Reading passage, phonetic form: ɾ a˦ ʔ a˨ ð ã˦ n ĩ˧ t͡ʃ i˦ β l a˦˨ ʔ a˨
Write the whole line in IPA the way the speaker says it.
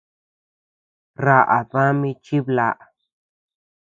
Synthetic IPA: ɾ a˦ ʔ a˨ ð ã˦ m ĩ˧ t͡ʃ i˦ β l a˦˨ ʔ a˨